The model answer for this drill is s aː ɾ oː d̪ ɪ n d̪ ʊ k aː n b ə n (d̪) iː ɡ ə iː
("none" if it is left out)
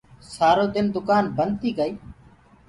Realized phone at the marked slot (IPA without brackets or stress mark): t̪